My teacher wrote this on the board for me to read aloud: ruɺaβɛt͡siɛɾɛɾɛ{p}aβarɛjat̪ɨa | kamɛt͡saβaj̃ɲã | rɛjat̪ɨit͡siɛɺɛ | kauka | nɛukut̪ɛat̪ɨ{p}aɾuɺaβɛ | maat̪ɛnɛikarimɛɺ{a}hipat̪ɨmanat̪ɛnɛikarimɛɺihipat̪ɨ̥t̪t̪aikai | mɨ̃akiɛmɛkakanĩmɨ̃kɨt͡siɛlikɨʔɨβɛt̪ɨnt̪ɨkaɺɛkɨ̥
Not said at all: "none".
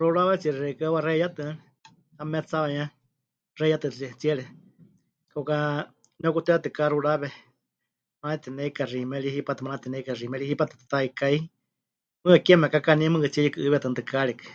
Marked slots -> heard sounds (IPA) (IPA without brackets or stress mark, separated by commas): k, k, i